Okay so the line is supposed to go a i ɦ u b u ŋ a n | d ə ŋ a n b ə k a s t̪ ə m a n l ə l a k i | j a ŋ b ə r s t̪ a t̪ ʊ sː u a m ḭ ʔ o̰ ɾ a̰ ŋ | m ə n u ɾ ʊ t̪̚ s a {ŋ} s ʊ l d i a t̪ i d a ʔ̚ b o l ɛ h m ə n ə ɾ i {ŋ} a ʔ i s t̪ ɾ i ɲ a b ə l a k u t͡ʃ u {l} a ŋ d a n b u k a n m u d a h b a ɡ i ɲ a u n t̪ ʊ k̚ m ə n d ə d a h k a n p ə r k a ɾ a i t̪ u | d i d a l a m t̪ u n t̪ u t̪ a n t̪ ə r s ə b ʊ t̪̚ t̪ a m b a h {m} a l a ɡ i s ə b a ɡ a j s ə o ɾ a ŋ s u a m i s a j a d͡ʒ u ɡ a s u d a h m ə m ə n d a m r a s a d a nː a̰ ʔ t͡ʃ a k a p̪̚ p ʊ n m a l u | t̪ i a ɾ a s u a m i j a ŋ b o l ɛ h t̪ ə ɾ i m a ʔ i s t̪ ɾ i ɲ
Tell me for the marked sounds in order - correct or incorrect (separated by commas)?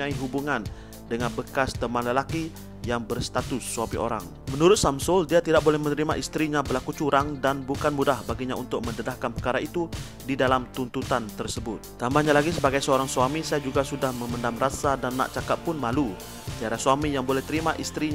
incorrect, incorrect, incorrect, incorrect